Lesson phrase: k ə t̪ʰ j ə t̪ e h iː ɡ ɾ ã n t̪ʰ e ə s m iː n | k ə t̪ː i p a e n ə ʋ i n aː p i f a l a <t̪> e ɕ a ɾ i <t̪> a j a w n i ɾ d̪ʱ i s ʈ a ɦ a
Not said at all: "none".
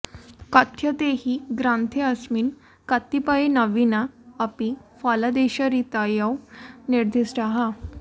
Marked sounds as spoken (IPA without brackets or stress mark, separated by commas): d̪, t̪